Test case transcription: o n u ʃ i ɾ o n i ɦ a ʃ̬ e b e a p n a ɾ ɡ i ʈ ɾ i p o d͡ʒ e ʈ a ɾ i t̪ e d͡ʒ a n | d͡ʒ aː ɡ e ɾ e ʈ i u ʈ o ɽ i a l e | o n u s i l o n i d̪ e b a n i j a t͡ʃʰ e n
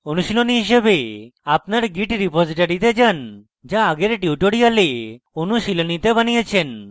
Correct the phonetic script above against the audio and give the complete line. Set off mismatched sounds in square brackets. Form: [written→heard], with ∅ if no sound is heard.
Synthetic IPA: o n u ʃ i [ɾ→l] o n i ɦ [a→i] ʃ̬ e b e a p n a ɾ ɡ i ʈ ɾ i p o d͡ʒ [e→i] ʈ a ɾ i t̪ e d͡ʒ a n | d͡ʒ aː ɡ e ɾ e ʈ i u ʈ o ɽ i a l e | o n u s i l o n i [d̪→t̪] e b a n i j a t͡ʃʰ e n